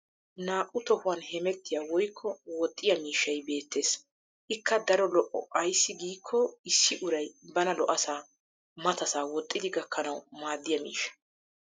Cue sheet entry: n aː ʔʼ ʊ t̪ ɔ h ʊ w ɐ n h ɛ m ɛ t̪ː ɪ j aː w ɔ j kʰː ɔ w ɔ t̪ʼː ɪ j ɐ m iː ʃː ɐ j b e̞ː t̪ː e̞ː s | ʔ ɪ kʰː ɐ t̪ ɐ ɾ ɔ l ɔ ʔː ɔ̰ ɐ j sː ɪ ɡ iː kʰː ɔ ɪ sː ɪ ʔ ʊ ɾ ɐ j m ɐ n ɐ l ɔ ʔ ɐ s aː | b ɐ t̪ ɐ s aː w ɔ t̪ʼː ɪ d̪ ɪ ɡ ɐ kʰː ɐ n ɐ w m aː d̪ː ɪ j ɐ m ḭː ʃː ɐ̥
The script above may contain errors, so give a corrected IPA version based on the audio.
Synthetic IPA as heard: n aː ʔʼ ʊ t̪ ɔ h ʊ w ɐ n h ɛ m ɛ t̪ː ɪ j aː w ɔ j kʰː ɔ w ɔ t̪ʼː ɪ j ɐ m iː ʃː ɐ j b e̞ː t̪ː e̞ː s | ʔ ɪ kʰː ɐ d̪ ɐ ɾ ɔ l ɔ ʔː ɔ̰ ɐ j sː ɪ ɡ iː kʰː ɔ ɪ sː ɪ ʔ ʊ ɾ ɐ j b ɐ n ɐ l ɔ ʔ ɐ s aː | m ɐ t̪ ɐ s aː w ɔ t̪ʼː ɪ d̪ ɪ ɡ ɐ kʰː ɐ n ɐ w m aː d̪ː ɪ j ɐ m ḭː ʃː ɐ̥